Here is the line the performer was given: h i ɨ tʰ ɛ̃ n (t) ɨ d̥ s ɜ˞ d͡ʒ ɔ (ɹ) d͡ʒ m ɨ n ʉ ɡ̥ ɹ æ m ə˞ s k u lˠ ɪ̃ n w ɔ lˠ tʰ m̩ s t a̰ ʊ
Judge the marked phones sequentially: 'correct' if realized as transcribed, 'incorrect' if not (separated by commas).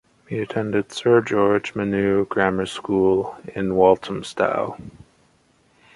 incorrect, correct